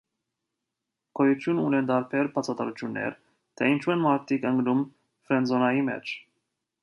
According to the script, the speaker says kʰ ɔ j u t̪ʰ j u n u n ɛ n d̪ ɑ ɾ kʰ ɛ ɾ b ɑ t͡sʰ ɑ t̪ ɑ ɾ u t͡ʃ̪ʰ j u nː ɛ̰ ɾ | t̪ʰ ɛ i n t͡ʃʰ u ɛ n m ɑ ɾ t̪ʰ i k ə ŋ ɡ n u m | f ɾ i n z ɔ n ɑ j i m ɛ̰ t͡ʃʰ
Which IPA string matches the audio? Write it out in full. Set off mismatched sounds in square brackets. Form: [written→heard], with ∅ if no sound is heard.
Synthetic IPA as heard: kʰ ɔ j u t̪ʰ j u n u n ɛ n d̪ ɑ ɾ [kʰ→pʰ] ɛ ɾ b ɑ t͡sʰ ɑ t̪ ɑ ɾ u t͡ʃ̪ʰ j u nː ɛ̰ ɾ | t̪ʰ ɛ i n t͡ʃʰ u ɛ n m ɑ ɾ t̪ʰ i k ə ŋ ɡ n u m | f ɾ [i→ɛ] n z ɔ n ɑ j i m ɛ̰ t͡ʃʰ

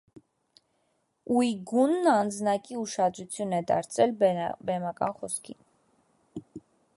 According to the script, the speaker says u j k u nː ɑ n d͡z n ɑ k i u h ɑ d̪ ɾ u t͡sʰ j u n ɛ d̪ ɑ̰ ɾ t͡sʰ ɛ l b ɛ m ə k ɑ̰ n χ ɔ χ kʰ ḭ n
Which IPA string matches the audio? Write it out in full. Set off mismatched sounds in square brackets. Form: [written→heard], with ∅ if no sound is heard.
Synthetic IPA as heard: u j [k→ɡ] u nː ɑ n d͡z n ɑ k i u [h→ʃ] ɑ d̪ ɾ u t͡sʰ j u n ɛ d̪ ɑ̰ ɾ t͡sʰ ɛ l b ɛ m [ə→ɑ] k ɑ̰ n χ ɔ [χ→s] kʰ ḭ n

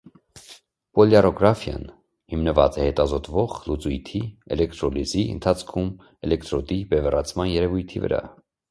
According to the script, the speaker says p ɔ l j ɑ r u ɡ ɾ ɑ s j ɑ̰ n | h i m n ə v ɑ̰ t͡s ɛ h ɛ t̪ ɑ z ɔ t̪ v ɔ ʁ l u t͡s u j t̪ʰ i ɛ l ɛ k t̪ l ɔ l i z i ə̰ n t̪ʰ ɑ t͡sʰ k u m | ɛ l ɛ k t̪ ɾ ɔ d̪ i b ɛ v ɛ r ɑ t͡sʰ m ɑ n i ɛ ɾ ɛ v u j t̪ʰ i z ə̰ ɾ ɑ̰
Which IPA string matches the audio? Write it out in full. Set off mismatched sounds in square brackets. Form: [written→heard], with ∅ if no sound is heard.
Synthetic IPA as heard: p ɔ l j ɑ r [u→ɔ] ɡ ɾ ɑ [s→f] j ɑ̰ n | h i m n ə v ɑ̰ t͡s ɛ h ɛ t̪ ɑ z ɔ t̪ v ɔ ʁ l u t͡s u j t̪ʰ i ɛ l ɛ k t̪ [l→ɾ] ɔ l i z i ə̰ n t̪ʰ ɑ t͡sʰ [k→kʰ] u m | ɛ l ɛ k t̪ ɾ ɔ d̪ i b ɛ v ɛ r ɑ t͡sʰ m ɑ n [i→j] ɛ ɾ ɛ v u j t̪ʰ i [z→v] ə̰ ɾ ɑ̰

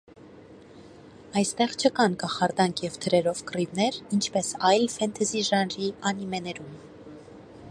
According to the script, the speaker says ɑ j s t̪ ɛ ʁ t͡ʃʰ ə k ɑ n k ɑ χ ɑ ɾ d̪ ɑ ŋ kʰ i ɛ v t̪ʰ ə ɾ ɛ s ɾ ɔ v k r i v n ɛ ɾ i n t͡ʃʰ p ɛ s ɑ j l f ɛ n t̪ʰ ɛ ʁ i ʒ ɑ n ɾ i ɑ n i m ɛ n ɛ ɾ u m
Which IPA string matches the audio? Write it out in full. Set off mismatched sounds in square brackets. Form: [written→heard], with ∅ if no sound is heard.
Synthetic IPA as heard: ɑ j s t̪ ɛ ʁ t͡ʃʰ ə k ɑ n k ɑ χ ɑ ɾ d̪ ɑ ŋ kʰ [i→j] ɛ v t̪ʰ ə ɾ ɛ [s→∅] ɾ ɔ v k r i v n ɛ ɾ i n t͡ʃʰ p ɛ s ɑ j l f ɛ n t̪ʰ ɛ [ʁ→z] i ʒ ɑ n ɾ i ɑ n i m ɛ n ɛ ɾ u m

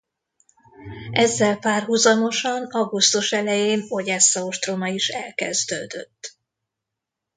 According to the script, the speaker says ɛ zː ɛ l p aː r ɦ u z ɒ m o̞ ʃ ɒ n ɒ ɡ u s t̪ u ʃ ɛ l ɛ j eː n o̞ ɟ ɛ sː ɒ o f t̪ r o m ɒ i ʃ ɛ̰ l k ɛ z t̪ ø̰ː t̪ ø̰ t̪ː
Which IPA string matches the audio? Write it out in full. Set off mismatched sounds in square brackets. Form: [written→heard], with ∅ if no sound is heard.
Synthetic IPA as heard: ɛ zː ɛ l p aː r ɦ u z ɒ m o̞ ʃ ɒ n ɒ ɡ u s t̪ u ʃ ɛ l ɛ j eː n o̞ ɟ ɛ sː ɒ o [f→ʃ] t̪ r o m ɒ i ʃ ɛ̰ l k ɛ z [t̪→d̪] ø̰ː [t̪→d̪] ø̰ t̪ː

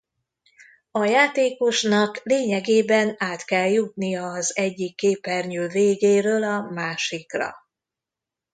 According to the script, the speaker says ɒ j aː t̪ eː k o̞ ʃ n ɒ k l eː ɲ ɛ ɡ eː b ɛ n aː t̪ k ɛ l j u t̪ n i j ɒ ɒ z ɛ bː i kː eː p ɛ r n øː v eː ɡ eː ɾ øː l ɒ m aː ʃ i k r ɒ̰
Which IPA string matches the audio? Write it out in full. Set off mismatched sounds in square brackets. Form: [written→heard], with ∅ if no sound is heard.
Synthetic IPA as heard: ɒ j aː t̪ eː k o̞ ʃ n ɒ k l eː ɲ ɛ ɡ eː b ɛ n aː t̪ k ɛ l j u t̪ n i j ɒ ɒ z ɛ [bː→ɟː] i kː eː p ɛ r [n→ɲ] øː v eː ɡ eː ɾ øː l ɒ m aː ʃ i k r ɒ̰

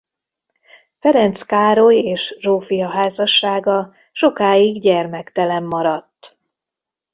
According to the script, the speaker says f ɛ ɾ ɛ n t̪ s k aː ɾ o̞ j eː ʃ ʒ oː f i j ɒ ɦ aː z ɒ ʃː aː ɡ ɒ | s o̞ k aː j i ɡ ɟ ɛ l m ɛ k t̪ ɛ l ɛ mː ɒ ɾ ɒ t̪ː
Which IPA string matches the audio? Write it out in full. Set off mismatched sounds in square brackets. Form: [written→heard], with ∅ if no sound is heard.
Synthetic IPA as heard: f ɛ ɾ ɛ n t̪ s k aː ɾ o̞ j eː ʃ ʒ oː f i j ɒ ɦ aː z ɒ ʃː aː ɡ ɒ | [s→ʃ] o̞ k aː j i ɡ ɟ ɛ [l→r] m ɛ k t̪ ɛ l ɛ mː ɒ ɾ ɒ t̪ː

